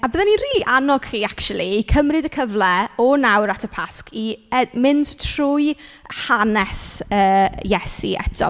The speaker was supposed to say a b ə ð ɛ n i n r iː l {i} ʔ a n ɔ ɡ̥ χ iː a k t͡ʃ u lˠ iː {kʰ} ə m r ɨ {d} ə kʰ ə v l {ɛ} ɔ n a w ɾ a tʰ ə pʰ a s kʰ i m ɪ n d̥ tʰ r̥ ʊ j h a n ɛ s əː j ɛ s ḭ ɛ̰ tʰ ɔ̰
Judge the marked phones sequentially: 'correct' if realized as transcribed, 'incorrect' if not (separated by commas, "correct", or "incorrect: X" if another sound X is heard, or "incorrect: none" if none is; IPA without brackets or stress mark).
correct, correct, correct, correct